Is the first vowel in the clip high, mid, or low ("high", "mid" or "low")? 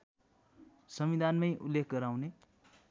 mid